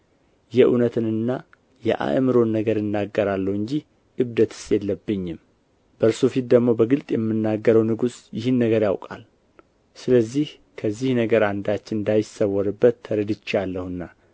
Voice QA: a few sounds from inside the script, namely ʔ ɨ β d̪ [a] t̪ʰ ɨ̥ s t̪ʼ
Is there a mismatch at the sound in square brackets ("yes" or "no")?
yes